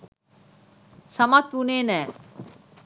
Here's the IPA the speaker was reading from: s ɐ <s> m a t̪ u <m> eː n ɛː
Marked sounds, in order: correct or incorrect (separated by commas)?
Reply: incorrect, incorrect